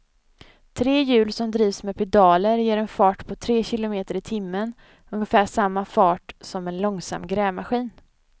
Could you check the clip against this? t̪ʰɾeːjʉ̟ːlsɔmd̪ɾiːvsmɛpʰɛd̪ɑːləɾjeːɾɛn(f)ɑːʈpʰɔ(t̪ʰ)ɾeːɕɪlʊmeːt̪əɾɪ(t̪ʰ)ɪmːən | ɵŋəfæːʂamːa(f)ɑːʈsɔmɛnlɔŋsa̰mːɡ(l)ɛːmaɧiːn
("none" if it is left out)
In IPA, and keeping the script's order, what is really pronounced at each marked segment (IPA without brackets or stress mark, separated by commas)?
f, t̪ʰ, t̪ʰ, f, ɾ